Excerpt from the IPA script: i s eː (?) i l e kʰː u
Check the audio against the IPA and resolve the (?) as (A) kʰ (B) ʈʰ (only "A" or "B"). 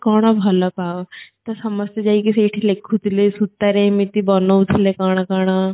B